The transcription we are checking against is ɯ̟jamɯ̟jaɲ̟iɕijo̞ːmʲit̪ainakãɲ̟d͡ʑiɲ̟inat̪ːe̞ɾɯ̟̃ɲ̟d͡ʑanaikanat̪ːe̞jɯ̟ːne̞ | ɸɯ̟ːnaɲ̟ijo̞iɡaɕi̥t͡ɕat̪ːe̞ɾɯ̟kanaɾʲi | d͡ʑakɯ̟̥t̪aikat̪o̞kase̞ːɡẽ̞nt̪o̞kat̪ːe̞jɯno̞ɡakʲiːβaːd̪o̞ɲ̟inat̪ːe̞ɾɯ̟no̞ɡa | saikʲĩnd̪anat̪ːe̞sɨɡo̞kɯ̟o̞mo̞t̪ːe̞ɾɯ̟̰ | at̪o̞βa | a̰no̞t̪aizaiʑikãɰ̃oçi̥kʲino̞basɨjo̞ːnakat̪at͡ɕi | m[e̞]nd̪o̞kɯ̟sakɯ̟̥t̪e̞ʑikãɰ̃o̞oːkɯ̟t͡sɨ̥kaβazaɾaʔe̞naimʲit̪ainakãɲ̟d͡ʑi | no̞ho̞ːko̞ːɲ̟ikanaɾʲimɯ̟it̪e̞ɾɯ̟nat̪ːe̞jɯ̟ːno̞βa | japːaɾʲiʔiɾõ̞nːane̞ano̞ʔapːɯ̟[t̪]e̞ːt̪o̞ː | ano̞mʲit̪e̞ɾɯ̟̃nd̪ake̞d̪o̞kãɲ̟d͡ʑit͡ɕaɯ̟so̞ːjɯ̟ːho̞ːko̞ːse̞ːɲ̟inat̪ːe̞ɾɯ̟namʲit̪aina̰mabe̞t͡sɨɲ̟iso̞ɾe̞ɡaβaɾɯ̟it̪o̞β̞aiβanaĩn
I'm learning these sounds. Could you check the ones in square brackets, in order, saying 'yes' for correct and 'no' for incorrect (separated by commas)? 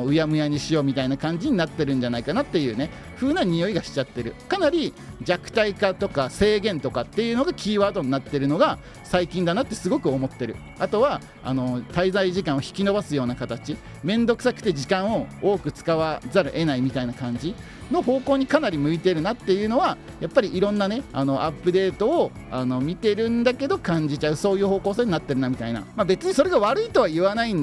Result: no, no